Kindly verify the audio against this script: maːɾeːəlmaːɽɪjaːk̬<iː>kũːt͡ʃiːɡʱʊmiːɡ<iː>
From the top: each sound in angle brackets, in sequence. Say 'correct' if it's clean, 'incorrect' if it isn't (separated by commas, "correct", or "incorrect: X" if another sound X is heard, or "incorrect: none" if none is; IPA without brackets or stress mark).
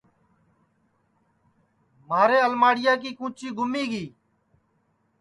correct, correct